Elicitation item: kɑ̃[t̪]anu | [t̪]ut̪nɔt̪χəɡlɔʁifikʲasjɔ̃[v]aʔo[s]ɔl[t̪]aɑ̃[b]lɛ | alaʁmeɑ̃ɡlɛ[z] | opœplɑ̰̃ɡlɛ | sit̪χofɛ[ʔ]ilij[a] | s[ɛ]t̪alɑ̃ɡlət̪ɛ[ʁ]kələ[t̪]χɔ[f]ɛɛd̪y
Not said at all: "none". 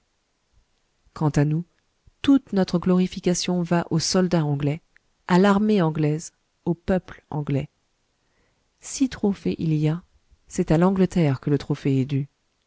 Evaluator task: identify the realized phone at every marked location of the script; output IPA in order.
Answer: t̪, t̪, v, s, d̪, ɡ, z, ʔ, a, ɛ, ʁ, t̪, f

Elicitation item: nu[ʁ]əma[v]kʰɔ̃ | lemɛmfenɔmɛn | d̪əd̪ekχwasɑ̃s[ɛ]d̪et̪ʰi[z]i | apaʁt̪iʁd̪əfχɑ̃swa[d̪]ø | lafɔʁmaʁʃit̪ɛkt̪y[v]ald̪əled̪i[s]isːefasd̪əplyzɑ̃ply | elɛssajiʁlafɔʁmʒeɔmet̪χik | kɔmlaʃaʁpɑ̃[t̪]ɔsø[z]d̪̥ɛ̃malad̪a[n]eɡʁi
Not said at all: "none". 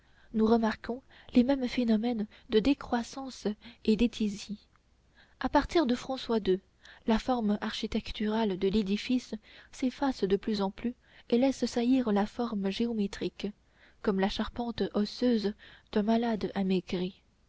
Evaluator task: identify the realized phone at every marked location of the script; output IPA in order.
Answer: ʁ, ʁ, e, z, d̪, ʁ, f, t̪, z, m

